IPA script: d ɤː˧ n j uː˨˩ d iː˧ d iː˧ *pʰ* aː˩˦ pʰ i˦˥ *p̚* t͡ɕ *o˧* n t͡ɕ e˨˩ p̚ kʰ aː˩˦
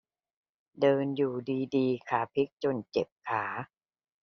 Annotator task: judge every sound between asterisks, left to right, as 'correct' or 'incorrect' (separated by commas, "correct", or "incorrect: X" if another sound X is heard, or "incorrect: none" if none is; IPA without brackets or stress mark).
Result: incorrect: kʰ, incorrect: k̚, correct